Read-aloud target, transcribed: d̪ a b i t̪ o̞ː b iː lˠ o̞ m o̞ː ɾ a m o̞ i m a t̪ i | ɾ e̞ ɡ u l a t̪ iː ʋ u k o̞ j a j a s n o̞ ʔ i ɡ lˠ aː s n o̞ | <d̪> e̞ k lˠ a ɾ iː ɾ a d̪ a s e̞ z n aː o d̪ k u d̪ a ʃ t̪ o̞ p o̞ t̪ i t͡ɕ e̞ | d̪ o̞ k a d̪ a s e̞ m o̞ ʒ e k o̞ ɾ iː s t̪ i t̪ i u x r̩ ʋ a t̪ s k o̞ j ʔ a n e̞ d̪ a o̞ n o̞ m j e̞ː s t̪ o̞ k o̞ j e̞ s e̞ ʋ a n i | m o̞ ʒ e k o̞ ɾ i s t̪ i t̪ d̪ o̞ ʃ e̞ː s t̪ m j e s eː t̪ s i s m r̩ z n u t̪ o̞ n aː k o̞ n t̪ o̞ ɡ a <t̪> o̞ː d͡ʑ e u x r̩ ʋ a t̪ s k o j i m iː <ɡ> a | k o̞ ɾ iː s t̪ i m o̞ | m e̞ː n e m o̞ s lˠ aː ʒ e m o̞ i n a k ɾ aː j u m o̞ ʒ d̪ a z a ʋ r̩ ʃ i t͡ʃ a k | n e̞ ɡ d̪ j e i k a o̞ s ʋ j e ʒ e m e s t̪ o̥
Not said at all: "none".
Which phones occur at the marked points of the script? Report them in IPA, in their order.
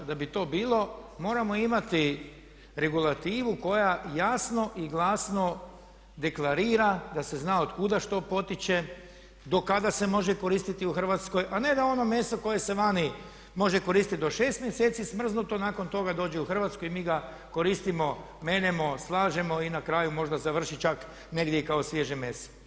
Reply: d̪, d̪, ɡ

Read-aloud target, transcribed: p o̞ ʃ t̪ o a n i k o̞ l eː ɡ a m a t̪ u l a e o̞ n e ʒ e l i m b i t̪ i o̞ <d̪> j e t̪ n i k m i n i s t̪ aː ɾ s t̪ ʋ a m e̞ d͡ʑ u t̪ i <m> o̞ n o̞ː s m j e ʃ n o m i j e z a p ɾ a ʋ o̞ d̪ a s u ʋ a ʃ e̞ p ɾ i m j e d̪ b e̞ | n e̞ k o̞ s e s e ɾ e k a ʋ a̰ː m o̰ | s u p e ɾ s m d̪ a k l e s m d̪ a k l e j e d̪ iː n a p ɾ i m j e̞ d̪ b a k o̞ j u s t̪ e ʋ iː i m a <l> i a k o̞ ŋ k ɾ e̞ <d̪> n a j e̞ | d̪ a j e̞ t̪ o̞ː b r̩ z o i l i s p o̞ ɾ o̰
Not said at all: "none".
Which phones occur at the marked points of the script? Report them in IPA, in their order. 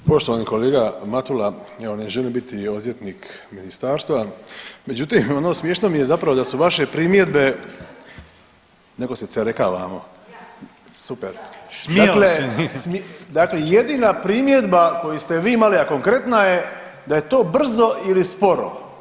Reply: d̪, m, l, t̪

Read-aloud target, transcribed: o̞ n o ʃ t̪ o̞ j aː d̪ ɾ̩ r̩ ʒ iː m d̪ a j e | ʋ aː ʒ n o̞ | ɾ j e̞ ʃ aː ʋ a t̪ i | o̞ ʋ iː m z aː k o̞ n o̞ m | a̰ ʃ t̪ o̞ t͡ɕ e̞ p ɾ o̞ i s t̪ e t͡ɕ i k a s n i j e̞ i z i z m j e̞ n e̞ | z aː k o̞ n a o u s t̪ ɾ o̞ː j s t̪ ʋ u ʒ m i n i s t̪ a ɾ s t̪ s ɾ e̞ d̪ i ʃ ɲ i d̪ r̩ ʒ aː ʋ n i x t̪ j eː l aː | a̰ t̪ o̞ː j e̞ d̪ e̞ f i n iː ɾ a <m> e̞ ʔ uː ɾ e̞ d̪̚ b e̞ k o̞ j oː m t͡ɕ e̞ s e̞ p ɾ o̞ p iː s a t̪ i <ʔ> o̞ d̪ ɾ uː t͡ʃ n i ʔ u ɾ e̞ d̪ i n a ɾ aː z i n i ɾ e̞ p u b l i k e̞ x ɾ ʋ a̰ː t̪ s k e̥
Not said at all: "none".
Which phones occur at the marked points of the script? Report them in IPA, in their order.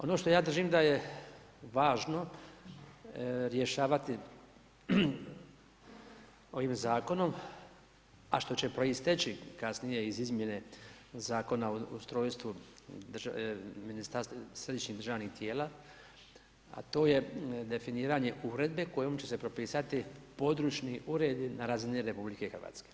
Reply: ɲ, p

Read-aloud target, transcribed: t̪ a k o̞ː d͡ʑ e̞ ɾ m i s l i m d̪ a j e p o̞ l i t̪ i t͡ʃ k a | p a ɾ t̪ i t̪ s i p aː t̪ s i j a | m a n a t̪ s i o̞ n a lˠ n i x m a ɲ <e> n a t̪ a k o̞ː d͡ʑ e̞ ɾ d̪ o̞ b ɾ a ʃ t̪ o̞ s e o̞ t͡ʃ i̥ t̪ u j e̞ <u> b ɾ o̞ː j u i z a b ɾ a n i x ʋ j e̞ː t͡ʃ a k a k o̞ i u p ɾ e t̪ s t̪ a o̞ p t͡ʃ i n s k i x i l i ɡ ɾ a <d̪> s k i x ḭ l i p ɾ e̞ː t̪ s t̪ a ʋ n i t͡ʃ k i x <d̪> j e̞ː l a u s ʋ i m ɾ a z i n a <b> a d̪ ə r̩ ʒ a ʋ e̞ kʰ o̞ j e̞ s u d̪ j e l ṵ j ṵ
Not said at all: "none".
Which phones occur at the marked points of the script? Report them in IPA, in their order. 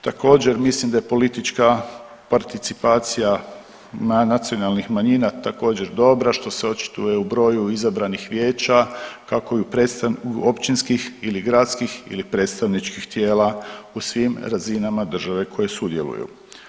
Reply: i, u, t̪, t̪, m

